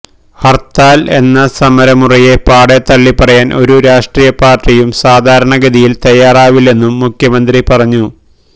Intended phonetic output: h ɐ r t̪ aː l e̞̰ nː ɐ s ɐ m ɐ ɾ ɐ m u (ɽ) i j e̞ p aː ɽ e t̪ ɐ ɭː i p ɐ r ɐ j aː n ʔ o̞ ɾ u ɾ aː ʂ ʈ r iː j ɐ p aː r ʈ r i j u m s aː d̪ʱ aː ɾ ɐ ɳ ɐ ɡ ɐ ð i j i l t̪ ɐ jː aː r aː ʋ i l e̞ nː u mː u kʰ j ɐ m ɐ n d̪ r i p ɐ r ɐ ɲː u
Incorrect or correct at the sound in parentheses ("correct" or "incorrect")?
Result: incorrect